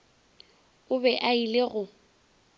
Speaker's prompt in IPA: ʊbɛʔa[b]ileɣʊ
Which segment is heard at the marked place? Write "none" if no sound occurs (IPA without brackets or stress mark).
none